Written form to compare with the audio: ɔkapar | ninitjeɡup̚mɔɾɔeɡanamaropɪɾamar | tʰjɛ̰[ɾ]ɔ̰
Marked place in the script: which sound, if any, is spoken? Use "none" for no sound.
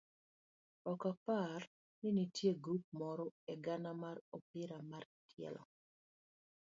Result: l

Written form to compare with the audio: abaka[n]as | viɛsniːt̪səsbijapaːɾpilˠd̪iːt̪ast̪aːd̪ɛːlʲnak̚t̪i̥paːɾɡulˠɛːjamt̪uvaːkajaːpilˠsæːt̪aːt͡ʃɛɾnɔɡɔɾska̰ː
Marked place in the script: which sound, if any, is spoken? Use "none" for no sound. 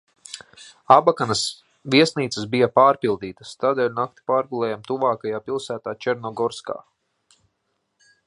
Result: n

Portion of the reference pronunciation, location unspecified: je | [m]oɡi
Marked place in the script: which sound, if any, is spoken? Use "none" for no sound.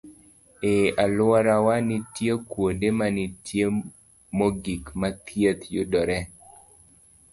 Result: m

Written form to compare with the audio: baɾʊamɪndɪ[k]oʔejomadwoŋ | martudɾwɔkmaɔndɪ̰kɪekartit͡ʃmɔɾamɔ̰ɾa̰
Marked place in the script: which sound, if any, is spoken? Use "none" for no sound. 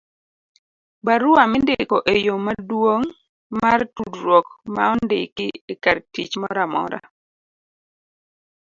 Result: k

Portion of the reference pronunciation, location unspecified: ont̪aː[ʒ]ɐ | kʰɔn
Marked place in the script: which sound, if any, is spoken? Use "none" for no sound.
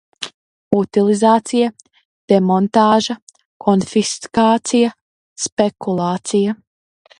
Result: ʒ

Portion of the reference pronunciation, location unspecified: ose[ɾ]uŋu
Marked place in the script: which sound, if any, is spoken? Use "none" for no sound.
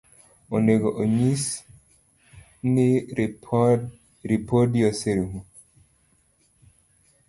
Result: ɾ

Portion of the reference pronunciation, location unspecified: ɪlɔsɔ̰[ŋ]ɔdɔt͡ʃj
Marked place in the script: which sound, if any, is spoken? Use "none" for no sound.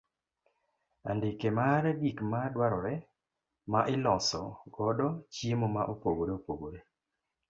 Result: ɡ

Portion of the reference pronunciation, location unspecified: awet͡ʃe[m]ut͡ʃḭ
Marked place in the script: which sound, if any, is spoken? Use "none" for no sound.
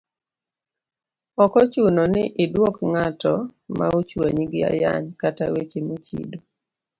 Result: m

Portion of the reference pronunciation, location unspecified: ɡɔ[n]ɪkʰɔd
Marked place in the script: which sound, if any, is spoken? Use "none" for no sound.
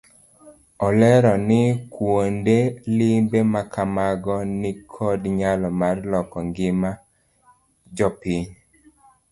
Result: n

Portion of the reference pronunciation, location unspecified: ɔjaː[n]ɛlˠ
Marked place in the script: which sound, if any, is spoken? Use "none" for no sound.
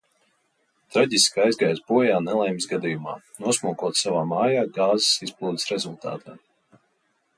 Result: n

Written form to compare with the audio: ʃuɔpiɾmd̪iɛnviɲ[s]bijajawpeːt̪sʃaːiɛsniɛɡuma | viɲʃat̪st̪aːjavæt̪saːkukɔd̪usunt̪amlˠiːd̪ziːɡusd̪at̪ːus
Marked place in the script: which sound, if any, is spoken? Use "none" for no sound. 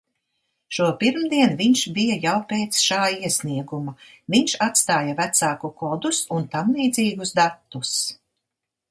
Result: ʃ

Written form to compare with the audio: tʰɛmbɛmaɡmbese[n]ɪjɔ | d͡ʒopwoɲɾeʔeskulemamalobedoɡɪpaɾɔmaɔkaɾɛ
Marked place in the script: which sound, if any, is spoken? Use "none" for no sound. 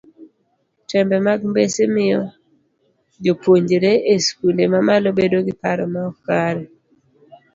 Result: m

